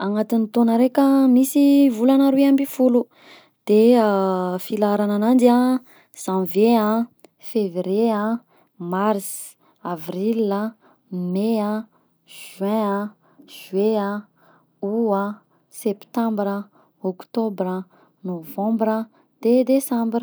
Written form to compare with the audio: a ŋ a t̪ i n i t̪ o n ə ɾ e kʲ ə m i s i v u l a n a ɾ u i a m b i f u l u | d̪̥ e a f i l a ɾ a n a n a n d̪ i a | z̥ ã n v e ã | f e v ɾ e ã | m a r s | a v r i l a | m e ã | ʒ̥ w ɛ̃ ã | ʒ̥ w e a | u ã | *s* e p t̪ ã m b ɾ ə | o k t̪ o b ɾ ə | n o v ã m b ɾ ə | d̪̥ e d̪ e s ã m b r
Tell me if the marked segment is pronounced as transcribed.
yes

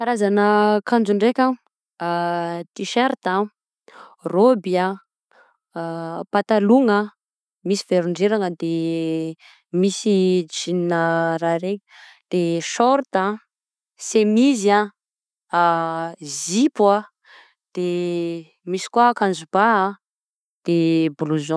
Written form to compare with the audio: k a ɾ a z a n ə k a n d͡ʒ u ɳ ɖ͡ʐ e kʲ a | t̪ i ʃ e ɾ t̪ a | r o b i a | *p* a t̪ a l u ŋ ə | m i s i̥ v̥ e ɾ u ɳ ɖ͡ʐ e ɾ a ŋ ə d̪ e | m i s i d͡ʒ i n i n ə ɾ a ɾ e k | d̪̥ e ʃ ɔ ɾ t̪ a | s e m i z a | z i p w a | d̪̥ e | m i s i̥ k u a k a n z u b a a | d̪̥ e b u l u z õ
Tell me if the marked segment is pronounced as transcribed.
yes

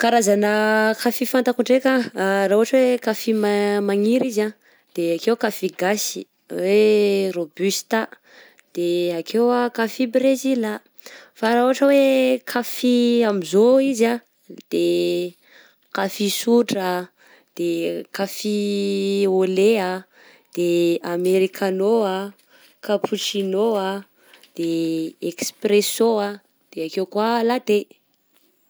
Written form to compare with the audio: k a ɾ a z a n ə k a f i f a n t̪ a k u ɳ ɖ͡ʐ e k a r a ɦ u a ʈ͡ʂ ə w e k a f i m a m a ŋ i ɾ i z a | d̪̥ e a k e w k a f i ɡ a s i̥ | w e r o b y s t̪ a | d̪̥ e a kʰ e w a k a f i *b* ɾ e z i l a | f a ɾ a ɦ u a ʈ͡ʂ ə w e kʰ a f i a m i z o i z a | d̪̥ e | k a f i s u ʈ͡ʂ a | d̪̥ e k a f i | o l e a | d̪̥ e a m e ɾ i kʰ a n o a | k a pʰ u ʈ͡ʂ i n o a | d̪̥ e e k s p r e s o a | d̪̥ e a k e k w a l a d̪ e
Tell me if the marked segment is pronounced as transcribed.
yes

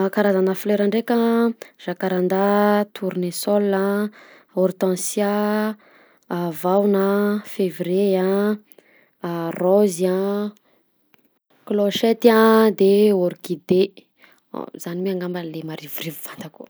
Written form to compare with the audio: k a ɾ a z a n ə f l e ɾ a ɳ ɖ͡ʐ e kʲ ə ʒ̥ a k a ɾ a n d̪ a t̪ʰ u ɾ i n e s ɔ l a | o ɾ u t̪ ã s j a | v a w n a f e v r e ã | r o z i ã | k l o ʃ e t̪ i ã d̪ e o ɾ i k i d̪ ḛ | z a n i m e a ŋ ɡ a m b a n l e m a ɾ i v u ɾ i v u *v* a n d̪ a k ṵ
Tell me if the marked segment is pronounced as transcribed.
yes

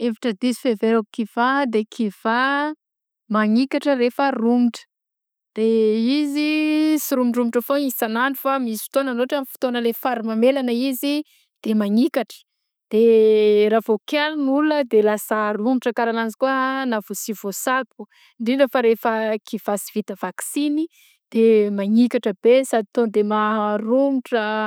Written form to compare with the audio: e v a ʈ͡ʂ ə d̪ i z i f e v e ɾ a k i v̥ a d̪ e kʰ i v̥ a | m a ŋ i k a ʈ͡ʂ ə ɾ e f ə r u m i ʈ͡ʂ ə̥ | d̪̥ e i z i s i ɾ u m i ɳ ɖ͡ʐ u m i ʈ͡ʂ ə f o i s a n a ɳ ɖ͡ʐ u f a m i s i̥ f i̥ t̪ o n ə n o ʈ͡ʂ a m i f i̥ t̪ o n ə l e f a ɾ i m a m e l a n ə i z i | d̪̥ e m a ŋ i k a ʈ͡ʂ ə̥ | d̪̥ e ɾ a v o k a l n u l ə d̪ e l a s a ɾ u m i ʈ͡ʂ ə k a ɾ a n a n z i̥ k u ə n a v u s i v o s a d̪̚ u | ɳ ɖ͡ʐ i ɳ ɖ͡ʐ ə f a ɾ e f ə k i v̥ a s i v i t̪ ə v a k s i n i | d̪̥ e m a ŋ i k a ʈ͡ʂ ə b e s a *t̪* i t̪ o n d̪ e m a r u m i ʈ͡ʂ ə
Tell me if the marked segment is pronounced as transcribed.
no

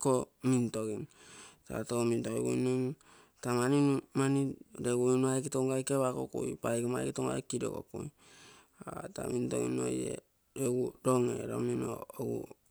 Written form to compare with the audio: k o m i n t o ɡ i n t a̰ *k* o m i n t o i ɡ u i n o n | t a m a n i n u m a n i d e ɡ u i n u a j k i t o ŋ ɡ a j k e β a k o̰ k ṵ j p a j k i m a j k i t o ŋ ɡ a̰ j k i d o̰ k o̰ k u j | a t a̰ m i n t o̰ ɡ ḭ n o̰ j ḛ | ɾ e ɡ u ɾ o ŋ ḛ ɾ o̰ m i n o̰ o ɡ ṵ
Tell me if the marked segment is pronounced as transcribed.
no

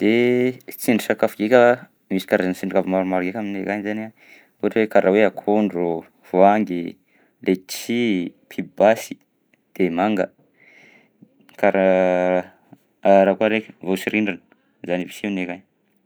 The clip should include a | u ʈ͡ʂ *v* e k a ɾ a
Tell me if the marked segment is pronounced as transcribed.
no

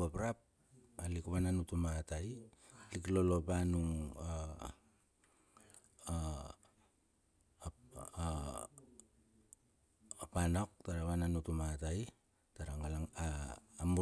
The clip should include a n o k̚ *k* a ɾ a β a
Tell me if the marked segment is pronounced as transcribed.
no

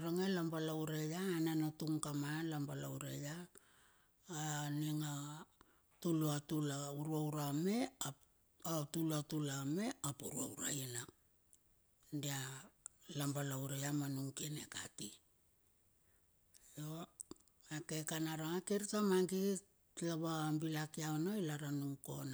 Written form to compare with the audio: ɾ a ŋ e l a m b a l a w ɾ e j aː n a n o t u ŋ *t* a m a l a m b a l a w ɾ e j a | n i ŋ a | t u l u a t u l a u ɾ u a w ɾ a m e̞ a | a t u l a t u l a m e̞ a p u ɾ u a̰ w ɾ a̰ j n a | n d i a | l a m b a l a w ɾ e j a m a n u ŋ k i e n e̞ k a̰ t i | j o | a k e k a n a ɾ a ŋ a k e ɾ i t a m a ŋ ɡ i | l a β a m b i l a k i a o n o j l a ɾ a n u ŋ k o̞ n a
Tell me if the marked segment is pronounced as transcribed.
no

